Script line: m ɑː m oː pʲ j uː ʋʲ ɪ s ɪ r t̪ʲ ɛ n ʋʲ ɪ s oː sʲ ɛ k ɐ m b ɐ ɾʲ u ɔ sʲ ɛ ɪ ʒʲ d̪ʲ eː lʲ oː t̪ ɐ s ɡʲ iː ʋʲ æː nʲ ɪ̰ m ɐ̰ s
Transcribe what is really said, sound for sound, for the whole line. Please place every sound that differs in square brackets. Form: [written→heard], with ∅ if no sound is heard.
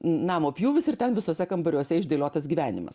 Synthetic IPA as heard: [m→n] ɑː m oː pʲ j uː ʋʲ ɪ s ɪ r t̪ʲ ɛ n ʋʲ ɪ s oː sʲ ɛ k ɐ m b ɐ ɾʲ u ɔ sʲ ɛ ɪ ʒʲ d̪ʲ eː lʲ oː t̪ ɐ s ɡʲ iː ʋʲ æː nʲ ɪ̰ m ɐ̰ s